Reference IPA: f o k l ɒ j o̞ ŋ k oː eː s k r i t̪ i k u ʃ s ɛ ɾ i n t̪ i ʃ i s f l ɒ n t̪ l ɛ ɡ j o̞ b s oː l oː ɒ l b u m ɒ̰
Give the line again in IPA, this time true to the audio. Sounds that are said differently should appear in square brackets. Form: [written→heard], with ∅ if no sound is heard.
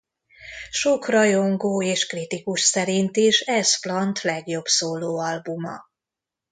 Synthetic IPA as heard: [f→ʃ] o k [l→r] ɒ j o̞ ŋ [k→ɡ] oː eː [s→ʃ] k r i t̪ i k u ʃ s ɛ ɾ i n t̪ i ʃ [i→ɛ] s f l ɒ n t̪ l ɛ ɡ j o̞ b s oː l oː ɒ l b u m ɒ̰